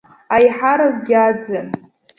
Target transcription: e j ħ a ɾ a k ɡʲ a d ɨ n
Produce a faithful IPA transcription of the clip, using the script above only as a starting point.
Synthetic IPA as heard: a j ħ a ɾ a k ɡʲ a d͡z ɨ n